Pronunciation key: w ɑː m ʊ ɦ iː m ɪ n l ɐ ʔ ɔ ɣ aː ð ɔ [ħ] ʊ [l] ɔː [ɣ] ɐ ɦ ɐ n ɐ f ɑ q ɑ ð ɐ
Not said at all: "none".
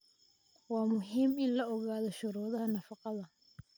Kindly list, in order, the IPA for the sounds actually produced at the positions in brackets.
ʃ, ɾ, ð

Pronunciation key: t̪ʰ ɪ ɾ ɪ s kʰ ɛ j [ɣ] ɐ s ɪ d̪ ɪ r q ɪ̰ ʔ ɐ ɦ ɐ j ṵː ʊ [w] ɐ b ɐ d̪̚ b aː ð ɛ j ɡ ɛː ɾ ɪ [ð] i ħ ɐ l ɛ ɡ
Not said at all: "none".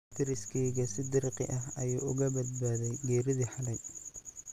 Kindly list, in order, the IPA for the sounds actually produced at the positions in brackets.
ɣ, ɣ, ð

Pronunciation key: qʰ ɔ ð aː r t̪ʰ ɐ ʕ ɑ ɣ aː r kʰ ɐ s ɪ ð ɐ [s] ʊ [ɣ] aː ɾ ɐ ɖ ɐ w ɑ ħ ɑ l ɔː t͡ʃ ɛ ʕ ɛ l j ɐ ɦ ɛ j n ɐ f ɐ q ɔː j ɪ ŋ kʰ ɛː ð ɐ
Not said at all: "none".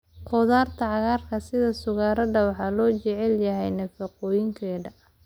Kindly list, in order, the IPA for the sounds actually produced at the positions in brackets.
s, ɣ

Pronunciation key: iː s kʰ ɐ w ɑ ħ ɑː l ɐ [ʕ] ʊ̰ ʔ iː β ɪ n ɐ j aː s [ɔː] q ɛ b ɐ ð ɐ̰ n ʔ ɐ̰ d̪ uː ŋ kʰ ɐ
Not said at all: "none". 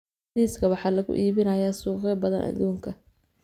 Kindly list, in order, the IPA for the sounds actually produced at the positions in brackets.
ɣ, uː

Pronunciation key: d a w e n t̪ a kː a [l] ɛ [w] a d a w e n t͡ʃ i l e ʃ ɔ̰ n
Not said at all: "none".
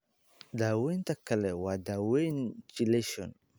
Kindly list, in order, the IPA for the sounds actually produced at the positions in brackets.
l, w

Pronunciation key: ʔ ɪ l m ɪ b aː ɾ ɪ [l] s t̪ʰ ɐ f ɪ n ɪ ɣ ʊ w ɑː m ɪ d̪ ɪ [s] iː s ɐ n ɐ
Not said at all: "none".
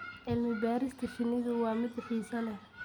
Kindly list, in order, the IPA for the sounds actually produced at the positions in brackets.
none, ħ

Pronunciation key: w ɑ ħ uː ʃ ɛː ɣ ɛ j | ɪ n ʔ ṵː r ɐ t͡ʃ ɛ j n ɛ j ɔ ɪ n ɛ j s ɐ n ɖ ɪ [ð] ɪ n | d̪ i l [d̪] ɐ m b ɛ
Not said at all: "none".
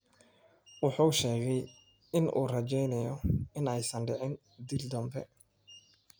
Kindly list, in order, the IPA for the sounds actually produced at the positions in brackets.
ʕ, d̪

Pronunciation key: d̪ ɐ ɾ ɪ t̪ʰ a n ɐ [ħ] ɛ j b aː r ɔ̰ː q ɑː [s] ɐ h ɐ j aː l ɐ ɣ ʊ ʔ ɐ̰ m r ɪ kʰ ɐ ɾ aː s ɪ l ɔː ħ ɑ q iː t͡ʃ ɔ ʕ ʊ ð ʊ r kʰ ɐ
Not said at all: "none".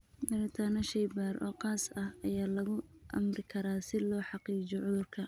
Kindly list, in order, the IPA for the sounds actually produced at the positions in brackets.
ʃ, s

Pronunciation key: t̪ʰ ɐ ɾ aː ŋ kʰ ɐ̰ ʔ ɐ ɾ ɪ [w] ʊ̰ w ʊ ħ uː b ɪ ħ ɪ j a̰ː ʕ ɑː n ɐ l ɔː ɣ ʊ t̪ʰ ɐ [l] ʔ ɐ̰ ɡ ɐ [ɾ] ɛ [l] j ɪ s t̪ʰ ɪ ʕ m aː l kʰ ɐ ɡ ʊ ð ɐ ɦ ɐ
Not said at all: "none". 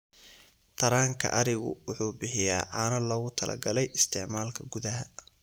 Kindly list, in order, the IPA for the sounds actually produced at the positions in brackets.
ɣ, l, l, none

